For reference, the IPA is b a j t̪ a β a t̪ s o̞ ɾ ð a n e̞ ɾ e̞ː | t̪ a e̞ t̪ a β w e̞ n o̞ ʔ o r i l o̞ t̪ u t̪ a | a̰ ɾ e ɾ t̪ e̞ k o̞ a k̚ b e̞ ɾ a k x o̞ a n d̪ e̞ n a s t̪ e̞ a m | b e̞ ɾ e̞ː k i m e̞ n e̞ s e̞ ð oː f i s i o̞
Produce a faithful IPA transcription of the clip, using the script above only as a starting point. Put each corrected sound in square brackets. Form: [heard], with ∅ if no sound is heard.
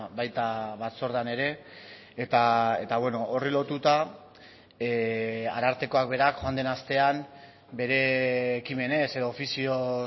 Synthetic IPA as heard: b a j t̪ a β a t̪ s o̞ ɾ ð a n e̞ ɾ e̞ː | t̪ a e̞ t̪ a β w e̞ n o̞ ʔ o r i l o̞ t̪ u t̪ a | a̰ ɾ [a] ɾ t̪ e̞ k o̞ a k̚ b e̞ ɾ a k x o̞ a n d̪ e̞ n a s t̪ e̞ a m | b e̞ ɾ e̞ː k i m e̞ n e̞ s e̞ ð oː f i s i o̞